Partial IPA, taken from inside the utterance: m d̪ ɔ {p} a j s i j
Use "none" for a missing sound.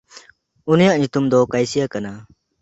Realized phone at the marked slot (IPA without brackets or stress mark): k